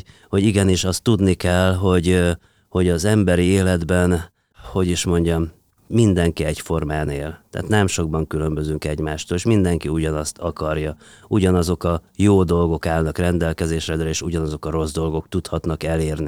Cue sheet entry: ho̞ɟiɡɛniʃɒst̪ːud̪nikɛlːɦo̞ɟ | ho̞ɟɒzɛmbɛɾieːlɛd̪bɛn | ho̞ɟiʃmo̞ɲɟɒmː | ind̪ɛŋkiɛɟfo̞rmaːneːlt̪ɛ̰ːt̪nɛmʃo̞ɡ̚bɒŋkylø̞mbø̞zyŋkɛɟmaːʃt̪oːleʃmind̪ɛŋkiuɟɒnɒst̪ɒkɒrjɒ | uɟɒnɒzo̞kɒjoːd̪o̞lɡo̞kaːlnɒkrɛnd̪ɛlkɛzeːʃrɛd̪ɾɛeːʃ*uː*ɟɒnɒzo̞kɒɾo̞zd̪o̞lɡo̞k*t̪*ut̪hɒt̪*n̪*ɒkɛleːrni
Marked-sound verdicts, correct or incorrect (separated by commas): incorrect, correct, correct